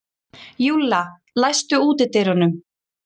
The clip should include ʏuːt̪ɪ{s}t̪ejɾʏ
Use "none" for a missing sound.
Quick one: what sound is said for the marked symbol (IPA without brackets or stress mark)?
none